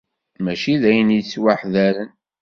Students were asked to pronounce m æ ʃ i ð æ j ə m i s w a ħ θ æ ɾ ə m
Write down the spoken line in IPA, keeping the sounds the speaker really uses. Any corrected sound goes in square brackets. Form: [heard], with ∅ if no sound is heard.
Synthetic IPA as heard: m æ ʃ i ð æ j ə [n] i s w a ħ [ð] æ ɾ ə [n]